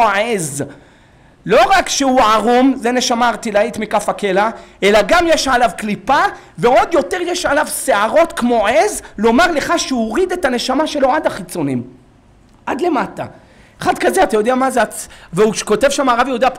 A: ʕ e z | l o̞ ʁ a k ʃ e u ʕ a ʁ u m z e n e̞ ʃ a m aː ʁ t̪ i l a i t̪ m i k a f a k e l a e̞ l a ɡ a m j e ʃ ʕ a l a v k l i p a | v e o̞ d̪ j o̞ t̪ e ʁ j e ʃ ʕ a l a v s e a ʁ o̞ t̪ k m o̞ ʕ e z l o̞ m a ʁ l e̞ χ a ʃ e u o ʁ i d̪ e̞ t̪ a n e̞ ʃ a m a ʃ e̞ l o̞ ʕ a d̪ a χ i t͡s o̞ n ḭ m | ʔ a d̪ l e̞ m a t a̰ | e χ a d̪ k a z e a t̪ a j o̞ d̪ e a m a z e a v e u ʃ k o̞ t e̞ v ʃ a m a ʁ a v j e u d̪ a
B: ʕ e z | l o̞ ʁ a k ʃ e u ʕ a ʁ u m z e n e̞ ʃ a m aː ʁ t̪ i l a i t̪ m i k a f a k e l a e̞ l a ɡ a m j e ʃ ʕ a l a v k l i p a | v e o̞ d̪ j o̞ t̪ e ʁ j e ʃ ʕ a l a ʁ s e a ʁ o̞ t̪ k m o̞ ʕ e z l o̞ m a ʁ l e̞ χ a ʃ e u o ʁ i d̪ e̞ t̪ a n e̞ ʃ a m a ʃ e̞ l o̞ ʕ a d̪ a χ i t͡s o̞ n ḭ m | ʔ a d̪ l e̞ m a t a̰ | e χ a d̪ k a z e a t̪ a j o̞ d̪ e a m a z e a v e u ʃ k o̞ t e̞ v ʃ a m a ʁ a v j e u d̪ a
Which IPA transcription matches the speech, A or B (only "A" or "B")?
A